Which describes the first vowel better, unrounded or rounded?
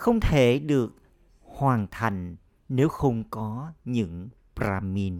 unrounded